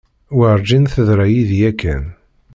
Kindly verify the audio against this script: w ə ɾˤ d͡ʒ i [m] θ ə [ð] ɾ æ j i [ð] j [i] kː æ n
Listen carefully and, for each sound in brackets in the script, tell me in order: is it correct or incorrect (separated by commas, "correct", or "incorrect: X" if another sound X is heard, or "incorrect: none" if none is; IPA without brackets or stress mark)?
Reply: incorrect: n, correct, correct, incorrect: æ